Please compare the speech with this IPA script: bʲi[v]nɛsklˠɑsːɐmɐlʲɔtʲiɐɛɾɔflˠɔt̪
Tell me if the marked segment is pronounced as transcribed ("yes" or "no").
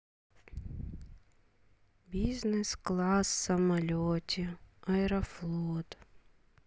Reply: no